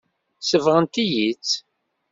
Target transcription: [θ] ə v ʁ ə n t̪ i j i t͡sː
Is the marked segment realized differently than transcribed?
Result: yes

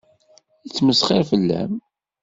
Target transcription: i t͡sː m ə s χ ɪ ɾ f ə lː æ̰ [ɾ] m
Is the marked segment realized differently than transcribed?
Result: yes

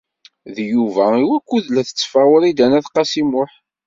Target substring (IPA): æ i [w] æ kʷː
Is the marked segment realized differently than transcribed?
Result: no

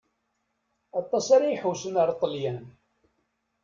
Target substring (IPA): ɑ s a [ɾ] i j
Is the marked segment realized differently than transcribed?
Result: no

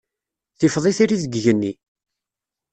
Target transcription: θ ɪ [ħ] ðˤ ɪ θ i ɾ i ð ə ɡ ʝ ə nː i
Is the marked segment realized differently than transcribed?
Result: yes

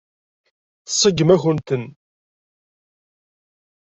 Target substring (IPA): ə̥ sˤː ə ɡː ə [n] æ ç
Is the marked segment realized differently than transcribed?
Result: yes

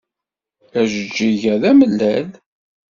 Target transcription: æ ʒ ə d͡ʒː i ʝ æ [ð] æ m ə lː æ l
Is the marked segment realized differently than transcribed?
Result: no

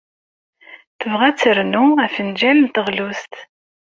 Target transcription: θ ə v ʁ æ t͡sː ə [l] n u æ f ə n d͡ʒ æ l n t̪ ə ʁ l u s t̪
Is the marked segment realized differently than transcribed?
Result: yes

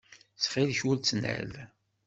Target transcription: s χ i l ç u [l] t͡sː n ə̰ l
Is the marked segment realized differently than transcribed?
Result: no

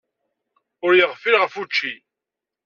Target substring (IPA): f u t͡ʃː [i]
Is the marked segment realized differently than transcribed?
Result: no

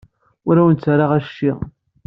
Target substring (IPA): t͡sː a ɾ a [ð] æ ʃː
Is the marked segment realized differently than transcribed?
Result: yes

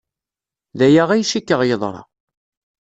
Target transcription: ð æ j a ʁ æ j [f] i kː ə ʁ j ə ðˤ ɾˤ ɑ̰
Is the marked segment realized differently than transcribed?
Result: yes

